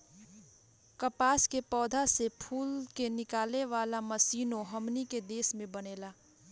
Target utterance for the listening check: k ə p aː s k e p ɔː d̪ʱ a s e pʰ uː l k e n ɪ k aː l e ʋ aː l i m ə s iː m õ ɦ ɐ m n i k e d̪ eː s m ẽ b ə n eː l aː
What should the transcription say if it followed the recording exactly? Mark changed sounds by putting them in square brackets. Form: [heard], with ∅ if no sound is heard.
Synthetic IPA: k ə p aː s k e p ɔː d̪ʱ a s e pʰ uː l k e n ɪ k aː l e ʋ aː l [a] m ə s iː [n] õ ɦ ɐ m n i k e d̪ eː s m ẽ b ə n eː l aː